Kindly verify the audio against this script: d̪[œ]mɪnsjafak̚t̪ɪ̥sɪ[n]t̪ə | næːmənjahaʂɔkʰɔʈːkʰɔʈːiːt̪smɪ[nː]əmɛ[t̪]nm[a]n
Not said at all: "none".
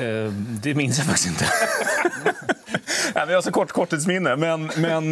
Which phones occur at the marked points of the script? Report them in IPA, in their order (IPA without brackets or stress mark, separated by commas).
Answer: ɛ, n, nː, none, ɛ